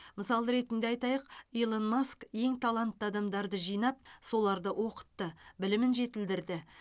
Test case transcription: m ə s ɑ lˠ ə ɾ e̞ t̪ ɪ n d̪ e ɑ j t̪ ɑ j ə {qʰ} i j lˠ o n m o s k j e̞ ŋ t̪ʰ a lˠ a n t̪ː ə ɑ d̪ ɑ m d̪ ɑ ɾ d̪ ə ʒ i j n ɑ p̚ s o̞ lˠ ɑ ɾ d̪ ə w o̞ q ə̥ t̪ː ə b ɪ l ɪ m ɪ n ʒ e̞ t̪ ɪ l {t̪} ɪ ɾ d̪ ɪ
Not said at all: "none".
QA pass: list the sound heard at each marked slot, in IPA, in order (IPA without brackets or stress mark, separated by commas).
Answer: q, d̪